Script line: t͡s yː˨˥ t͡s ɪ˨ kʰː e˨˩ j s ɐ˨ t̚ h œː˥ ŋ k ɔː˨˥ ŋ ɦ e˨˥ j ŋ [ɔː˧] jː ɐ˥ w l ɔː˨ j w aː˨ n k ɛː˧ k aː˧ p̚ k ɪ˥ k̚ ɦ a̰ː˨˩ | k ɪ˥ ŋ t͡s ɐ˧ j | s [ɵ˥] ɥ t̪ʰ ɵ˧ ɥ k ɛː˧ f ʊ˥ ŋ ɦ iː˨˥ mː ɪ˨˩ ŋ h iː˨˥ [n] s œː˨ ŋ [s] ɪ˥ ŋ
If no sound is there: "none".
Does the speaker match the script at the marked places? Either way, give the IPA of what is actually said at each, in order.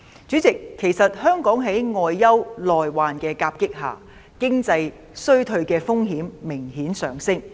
ɔː˧, ɵ˥, n, s

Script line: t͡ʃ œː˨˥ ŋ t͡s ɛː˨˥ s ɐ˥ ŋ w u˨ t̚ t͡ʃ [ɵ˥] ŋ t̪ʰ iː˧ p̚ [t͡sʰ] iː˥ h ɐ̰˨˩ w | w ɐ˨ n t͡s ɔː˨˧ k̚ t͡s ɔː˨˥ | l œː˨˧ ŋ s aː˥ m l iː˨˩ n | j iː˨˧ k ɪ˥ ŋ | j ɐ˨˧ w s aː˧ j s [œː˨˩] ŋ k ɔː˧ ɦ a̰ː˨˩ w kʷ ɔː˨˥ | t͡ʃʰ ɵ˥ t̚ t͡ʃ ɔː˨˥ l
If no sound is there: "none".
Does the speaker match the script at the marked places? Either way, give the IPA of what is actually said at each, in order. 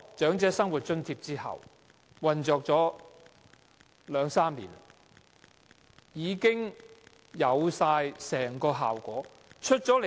ɵ˥, t͡s, ɛː˨˩

